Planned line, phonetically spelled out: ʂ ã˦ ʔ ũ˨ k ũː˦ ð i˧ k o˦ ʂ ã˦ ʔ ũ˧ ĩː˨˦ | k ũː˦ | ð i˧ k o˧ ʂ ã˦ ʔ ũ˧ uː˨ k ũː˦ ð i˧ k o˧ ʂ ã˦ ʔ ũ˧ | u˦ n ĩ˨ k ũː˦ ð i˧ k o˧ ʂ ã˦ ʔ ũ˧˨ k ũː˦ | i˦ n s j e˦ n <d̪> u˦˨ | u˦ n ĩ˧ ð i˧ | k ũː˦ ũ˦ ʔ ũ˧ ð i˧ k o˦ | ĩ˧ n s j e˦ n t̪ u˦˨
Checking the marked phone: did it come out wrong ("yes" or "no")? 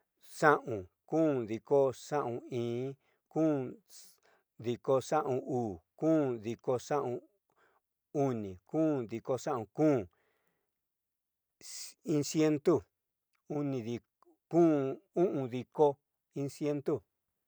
yes